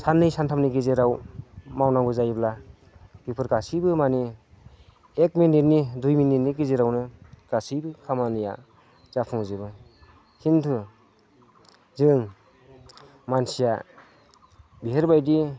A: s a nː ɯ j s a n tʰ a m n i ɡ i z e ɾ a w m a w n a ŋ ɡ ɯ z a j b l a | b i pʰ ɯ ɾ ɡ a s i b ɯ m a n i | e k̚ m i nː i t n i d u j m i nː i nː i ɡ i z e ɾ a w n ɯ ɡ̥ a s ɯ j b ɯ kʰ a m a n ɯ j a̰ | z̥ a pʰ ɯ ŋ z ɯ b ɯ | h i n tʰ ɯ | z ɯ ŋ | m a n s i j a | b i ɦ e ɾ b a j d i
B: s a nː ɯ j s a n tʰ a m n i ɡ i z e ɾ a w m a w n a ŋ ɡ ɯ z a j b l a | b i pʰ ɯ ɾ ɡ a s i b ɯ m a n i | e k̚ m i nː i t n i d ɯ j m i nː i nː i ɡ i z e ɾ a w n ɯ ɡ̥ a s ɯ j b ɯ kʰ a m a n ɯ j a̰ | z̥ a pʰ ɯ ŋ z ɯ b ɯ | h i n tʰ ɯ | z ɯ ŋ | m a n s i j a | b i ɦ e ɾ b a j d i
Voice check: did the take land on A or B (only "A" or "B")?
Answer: A